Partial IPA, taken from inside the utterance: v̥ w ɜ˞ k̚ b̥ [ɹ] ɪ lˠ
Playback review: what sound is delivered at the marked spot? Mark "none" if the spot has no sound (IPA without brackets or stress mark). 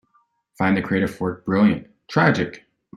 ɹ